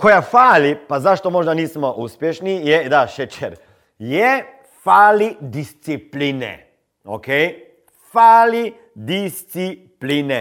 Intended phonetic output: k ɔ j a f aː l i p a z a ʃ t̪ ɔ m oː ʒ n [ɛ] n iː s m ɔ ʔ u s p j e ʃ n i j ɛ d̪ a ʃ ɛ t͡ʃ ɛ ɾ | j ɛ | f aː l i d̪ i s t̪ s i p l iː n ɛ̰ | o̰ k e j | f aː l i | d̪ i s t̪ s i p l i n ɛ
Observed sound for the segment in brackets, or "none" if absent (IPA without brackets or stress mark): a